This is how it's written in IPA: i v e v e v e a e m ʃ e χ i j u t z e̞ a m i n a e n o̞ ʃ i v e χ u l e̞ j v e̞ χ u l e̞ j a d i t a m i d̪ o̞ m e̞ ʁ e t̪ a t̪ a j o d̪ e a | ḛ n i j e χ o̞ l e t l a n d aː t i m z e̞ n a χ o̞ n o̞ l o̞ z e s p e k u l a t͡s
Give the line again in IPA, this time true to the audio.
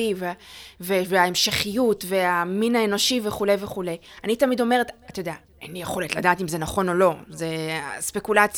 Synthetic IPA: i v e v e v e a e m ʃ e χ i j u t v e̞ a m i n a e n o̞ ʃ i v e χ u l e̞ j v e̞ χ u l e̞ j a n i t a m i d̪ o̞ m e̞ ʁ e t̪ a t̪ a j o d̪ e a | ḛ n i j e χ o̞ l e t l a d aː t i m z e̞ n a χ o̞ n o̞ l o̞ z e s p e k u l a t͡s